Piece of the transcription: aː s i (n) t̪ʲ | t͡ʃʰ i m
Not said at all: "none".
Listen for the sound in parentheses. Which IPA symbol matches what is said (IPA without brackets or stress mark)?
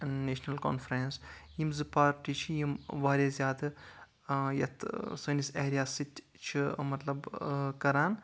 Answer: none